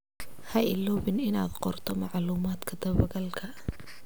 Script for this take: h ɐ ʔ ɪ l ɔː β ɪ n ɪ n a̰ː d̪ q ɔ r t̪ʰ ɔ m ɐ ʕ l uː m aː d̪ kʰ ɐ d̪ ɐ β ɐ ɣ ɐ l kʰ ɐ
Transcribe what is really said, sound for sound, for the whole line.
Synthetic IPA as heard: h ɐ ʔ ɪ l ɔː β ɪ n ɪ n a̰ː d̪ q ɔ r t̪ʰ ɔ m ɑ ʕ l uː m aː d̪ kʰ ɐ d̪ ɐ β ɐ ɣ ɐ l kʰ ɐ